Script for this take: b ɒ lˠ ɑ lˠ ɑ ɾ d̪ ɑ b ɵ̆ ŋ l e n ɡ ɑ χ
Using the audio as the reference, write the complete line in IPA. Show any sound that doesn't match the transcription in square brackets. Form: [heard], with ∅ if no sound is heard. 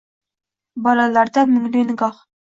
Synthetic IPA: b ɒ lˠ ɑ lˠ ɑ ɾ d̪ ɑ [m] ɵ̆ ŋ l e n ɡ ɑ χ